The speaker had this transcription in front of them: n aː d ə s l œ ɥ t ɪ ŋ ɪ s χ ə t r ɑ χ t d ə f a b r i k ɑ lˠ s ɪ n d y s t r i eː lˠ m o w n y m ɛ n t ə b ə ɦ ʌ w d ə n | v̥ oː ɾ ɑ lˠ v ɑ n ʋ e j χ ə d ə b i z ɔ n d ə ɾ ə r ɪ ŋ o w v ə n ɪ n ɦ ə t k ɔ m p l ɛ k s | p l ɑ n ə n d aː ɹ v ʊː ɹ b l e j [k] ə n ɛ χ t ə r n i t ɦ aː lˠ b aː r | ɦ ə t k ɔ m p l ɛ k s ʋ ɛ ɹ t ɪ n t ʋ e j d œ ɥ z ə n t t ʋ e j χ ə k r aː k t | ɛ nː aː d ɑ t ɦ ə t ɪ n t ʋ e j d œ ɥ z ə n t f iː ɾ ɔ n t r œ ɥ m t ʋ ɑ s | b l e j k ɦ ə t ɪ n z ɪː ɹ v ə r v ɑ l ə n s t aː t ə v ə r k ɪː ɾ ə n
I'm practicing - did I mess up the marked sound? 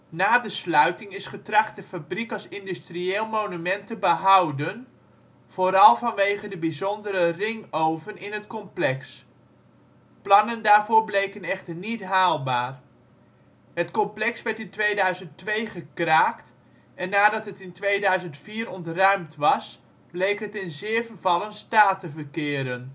no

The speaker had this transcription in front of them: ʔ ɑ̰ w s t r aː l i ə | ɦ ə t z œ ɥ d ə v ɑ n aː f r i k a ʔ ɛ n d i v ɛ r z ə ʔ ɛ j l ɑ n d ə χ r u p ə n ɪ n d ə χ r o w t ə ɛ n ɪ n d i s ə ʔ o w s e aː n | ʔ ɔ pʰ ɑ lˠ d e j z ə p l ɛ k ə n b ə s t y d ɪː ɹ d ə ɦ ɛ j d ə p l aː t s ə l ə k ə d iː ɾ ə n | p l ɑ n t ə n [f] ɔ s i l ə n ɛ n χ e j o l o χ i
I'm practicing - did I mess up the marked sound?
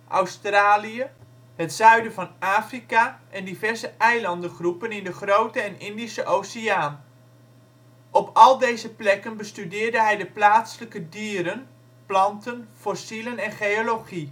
no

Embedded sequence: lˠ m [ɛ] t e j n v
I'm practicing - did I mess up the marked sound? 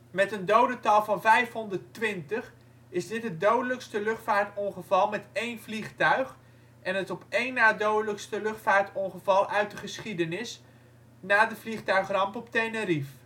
no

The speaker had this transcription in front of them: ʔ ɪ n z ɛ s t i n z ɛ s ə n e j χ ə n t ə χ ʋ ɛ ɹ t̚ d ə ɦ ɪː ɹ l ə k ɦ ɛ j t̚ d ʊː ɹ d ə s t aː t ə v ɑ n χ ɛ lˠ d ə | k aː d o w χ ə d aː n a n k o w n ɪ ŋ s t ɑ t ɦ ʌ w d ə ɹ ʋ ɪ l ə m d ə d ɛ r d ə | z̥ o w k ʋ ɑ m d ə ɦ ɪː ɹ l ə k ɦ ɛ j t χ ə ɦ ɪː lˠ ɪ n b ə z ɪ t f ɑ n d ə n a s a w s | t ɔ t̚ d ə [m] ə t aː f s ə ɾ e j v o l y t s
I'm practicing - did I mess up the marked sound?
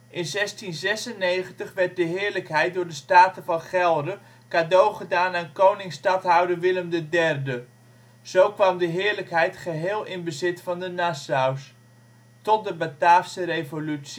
yes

